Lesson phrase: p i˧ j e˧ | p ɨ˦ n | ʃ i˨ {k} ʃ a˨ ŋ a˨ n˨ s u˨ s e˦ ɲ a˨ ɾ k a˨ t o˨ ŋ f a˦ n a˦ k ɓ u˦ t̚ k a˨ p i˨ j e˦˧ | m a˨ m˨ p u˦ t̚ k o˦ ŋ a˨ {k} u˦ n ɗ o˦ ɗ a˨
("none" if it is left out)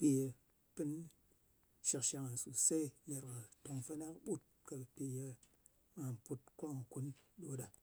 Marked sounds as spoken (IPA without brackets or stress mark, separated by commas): k, k